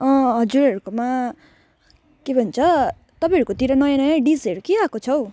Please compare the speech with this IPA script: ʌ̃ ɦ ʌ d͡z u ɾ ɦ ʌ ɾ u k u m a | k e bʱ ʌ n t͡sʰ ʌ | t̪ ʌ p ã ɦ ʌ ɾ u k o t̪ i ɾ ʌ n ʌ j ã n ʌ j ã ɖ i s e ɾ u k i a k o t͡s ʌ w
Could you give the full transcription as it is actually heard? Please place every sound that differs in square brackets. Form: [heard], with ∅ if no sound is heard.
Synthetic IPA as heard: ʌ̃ ɦ ʌ d͡z u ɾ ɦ ʌ ɾ u k [o] m a | k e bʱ ʌ n t͡sʰ ʌ | t̪ ʌ p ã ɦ ʌ ɾ u k o t̪ i ɾ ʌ n ʌ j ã n ʌ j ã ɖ i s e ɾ u k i a k o [t͡sʰ] ʌ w

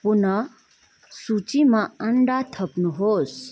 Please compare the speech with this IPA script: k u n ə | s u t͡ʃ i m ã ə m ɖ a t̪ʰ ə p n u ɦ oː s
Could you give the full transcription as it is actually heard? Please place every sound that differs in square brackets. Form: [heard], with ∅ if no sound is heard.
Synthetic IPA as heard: [p] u n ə | s u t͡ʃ i m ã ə [ɳ] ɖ a t̪ʰ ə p n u ɦ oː s

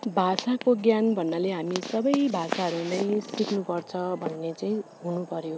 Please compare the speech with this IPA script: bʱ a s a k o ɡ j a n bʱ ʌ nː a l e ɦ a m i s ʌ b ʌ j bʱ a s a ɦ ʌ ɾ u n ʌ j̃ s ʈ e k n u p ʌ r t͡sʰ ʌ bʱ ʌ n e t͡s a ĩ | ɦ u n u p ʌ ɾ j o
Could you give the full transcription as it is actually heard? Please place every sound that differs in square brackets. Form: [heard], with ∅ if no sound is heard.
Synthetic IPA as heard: bʱ a s a k o ɡ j a n bʱ ʌ nː a l e ɦ a m i s ʌ b ʌ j bʱ a s a ɦ ʌ ɾ u n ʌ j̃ s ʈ [i] k n u p ʌ r t͡sʰ ʌ bʱ ʌ [nː] e t͡s a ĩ | ɦ u n u p ʌ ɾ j o

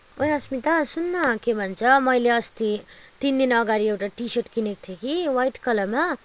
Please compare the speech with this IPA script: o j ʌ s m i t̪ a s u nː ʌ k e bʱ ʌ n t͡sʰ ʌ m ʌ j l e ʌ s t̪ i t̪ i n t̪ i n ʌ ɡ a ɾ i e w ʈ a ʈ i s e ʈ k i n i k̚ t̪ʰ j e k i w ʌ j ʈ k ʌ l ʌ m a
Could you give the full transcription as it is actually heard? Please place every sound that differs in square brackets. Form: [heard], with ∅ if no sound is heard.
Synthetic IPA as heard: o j ʌ s m i t̪ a s u nː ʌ k e bʱ ʌ n t͡sʰ ʌ m ʌ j l e ʌ s t̪ i t̪ i n [d̪] i n ʌ ɡ a ɾ i e w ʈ a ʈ i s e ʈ k i n [e] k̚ t̪ʰ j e k i w [a] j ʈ k ʌ l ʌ m a

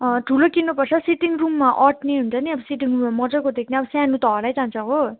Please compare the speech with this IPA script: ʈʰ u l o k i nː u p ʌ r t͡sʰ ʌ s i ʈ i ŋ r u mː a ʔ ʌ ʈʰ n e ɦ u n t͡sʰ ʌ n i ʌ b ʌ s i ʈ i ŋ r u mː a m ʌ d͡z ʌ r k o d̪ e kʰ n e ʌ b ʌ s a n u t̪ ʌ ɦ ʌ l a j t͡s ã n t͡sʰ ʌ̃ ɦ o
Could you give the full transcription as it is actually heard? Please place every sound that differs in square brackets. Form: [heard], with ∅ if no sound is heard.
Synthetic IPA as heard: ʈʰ u l o k i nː u p ʌ r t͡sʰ ʌ s i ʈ i ŋ r u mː a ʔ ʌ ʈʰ n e ɦ u n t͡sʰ ʌ n i ʌ b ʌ s i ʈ i ŋ r u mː a m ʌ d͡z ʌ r k o d̪ e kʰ n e ʌ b ʌ s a n u t̪ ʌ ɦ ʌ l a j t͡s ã n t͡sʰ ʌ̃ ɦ o

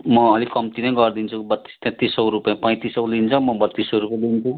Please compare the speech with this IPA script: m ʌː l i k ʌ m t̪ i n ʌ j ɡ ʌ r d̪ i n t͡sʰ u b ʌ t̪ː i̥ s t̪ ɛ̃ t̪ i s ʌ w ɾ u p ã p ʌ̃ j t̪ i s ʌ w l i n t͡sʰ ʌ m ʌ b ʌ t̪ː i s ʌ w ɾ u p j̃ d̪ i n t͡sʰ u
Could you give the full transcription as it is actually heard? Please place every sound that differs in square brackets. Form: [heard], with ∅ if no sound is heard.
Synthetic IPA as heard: m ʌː l i k ʌ m t̪ i n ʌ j ɡ ʌ r d̪ i n t͡sʰ u b ʌ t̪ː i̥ s t̪ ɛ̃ t̪ i s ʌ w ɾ u p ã p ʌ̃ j t̪ i s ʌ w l i n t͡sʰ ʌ m ʌ b ʌ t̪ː i s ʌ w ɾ u p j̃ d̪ i n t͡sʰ u

